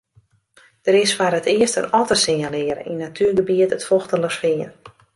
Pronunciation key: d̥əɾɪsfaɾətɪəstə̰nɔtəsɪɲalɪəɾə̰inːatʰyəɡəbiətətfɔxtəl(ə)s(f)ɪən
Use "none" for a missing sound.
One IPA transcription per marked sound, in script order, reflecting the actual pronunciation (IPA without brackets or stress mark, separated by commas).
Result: ə, f